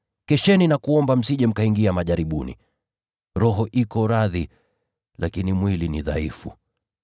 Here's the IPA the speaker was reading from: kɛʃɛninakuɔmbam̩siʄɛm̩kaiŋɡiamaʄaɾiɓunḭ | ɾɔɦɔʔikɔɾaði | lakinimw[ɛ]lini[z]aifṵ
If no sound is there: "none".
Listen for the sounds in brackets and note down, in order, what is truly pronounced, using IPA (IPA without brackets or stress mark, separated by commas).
i, ð